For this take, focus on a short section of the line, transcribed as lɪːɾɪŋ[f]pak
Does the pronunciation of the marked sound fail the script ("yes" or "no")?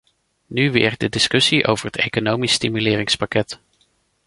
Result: yes